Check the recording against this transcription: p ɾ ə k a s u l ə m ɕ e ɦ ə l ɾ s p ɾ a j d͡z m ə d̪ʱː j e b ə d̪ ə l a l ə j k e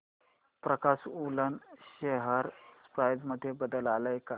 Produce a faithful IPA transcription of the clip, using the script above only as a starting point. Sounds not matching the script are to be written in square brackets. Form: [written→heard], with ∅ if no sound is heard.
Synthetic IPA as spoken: p ɾ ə k a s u l ə [m→n] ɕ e ɦ ə [l→∅] ɾ s p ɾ a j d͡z m ə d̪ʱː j e b ə d̪ ə l a l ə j k [e→a]

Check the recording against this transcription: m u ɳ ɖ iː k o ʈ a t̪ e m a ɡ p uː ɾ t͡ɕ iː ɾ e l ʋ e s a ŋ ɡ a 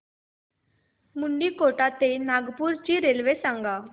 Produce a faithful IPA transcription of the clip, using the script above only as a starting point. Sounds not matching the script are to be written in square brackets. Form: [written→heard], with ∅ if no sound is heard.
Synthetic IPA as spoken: m u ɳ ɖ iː k o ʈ a t̪ e [m→n] a ɡ p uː ɾ t͡ɕ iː ɾ e l ʋ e s a ŋ ɡ a

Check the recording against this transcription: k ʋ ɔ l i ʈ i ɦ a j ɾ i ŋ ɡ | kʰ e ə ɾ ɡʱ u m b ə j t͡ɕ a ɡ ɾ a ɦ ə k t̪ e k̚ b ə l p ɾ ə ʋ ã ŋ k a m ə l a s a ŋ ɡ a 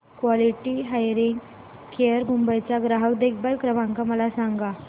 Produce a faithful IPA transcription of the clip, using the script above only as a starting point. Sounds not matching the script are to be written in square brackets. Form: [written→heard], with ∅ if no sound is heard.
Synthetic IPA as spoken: k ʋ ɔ l i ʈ i ɦ a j ɾ i ŋ ɡ | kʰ e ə ɾ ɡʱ u m b ə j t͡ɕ a ɡ ɾ a ɦ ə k [t̪→d̪] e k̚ b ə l [p→k] ɾ ə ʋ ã ŋ k a m ə l a s a ŋ ɡ a

